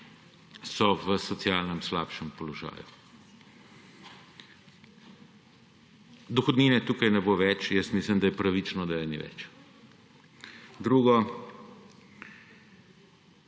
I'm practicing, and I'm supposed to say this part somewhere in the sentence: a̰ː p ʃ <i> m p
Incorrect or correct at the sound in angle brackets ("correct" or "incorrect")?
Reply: incorrect